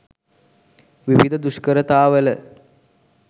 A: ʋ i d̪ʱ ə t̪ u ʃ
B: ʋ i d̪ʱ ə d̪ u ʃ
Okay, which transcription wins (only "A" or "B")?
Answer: B